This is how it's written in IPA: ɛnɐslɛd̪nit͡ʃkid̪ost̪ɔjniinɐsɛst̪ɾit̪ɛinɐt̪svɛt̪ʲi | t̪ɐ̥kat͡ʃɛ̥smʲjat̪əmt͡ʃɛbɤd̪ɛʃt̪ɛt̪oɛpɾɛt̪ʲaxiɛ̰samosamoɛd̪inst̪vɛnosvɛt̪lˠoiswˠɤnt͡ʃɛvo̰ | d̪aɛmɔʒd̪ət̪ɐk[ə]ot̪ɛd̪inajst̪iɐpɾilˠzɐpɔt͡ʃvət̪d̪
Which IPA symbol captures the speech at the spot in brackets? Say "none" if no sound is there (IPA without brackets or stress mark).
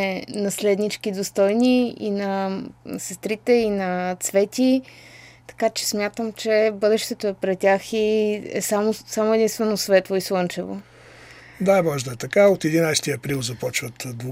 a